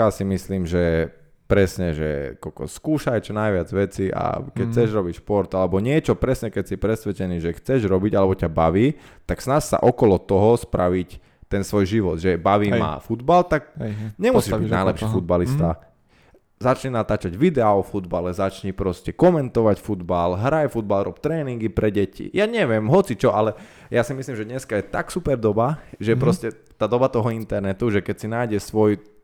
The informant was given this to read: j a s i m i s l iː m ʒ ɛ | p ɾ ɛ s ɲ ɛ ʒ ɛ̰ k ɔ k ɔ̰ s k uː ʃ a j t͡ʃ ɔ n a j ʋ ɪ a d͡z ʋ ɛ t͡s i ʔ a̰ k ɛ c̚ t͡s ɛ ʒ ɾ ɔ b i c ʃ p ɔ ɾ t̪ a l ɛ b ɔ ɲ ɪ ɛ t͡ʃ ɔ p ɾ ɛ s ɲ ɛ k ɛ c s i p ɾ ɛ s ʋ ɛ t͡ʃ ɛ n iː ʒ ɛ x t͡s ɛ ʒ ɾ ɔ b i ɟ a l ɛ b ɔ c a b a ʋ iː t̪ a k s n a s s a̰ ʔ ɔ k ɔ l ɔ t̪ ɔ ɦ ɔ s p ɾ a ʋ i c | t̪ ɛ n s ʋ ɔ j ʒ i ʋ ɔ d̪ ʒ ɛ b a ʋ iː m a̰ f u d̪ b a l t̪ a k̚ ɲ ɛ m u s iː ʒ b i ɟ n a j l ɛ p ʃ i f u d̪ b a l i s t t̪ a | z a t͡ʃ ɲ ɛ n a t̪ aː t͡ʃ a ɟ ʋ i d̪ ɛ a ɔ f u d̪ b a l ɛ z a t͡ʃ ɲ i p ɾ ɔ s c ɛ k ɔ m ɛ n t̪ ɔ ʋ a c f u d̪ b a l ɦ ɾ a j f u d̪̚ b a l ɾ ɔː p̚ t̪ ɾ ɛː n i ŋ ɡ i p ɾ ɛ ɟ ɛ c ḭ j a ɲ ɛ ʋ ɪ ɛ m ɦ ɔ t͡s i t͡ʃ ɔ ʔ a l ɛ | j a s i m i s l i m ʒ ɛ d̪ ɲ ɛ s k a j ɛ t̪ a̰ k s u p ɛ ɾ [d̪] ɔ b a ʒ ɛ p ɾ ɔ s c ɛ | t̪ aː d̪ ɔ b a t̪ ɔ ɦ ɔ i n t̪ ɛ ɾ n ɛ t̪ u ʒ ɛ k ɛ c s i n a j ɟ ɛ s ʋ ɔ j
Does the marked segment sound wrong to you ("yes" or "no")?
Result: no